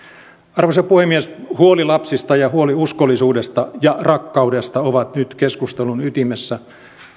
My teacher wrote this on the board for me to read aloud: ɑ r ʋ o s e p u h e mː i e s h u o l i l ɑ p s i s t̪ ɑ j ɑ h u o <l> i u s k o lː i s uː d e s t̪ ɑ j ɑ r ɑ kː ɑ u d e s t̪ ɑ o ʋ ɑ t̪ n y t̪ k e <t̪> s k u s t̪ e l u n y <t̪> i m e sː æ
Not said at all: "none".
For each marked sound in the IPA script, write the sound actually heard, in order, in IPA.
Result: l, none, t̪

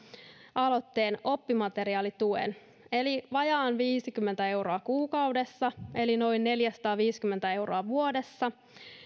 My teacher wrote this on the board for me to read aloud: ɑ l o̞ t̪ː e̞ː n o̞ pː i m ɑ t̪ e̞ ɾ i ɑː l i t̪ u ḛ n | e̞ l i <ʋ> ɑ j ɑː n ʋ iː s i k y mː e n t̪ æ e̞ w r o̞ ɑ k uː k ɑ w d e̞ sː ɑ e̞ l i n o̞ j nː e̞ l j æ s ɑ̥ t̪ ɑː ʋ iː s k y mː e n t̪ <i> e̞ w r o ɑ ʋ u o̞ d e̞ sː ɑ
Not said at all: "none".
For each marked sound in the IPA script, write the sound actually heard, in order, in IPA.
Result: ʋ, æ

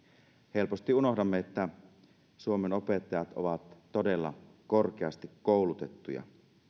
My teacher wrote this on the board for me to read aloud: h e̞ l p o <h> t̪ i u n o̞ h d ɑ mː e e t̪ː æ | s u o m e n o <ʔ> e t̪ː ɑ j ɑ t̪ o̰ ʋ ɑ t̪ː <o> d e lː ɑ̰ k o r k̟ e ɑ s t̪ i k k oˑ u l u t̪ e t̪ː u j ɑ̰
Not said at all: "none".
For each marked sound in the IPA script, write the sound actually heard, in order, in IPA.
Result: s, p, o

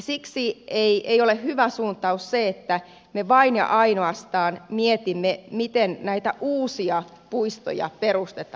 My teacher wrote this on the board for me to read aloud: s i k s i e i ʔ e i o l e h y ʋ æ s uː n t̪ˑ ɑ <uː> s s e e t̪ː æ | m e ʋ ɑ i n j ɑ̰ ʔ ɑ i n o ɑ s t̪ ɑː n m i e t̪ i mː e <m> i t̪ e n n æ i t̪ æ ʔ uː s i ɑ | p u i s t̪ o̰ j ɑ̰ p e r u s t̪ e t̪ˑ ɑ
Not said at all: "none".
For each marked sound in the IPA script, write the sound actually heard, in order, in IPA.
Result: u, m

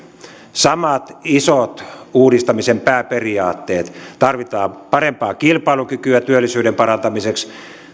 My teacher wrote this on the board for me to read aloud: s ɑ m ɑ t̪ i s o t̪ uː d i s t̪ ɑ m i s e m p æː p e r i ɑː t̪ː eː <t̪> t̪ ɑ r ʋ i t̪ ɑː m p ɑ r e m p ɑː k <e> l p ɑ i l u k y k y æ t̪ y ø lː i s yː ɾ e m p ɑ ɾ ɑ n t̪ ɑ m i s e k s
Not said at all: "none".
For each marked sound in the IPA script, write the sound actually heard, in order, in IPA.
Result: t̪, i

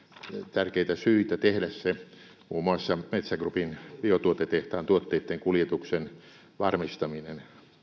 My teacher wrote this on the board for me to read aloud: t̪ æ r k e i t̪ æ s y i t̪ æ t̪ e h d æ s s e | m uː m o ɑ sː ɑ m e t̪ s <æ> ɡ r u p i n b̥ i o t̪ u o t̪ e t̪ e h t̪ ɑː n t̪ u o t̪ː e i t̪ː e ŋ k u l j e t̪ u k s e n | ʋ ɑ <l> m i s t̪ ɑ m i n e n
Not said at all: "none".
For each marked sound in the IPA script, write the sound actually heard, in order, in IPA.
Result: æ, r

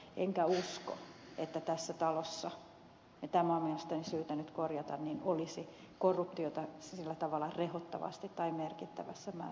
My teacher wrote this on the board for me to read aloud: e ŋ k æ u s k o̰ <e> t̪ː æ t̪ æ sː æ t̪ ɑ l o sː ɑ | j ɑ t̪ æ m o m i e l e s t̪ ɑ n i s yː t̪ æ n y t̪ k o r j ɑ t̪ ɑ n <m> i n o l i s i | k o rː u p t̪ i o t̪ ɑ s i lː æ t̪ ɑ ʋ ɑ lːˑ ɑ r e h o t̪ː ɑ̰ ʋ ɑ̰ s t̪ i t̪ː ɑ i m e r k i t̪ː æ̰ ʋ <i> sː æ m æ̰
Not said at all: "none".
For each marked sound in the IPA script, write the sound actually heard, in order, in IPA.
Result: e, n, æ

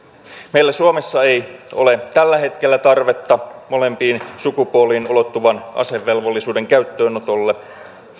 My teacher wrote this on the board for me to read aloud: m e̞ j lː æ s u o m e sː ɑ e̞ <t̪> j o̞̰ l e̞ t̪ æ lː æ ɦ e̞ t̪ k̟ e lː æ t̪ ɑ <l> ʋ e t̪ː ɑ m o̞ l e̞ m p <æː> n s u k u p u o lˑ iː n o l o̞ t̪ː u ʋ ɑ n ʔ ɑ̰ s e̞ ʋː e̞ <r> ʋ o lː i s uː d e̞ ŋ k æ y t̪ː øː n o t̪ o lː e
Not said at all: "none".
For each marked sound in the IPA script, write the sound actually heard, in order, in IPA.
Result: none, r, iː, l

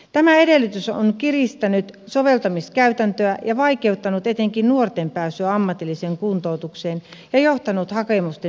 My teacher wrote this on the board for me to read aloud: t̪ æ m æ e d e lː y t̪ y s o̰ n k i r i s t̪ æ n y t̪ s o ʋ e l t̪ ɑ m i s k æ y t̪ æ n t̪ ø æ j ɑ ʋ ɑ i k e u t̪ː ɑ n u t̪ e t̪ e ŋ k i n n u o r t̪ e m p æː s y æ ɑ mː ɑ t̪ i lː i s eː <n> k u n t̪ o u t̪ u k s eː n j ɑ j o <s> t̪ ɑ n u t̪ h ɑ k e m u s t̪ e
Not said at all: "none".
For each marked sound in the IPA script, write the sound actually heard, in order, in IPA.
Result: ŋ, h

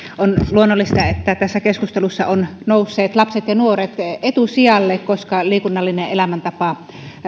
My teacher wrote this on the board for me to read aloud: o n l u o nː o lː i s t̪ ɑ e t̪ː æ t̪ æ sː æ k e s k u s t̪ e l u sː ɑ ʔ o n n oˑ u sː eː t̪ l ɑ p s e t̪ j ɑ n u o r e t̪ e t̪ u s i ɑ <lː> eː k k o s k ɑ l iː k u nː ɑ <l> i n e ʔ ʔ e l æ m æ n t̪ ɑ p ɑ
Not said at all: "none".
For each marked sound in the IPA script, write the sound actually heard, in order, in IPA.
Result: lː, lː

